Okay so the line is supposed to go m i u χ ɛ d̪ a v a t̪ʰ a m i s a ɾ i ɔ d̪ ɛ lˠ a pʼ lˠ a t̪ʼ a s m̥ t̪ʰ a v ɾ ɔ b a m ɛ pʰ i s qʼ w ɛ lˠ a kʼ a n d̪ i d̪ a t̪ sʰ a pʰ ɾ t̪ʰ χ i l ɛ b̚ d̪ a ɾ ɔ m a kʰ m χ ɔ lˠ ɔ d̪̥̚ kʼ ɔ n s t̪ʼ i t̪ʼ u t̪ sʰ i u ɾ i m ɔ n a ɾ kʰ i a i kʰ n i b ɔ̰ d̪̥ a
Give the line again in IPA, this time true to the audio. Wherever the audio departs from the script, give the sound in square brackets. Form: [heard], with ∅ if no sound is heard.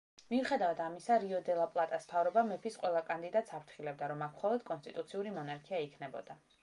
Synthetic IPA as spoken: m i u χ ɛ d̪ a v a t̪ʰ a m i s a ɾ i ɔ d̪ ɛ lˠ a pʼ lˠ a t̪ʼ a s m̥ t̪ʰ a v ɾ ɔ b a m ɛ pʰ i s qʼ w ɛ lˠ a kʼ a n d̪ i d̪ a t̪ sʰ a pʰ ɾ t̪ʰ χ i l ɛ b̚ d̪ a ɾ ɔ m a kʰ m χ ɔ lˠ ɔ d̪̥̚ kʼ ɔ n s t̪ʼ i t̪ʼ u t̪ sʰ i u ɾ i m ɔ n a ɾ kʰ i a i kʰ n [ɛ] b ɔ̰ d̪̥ a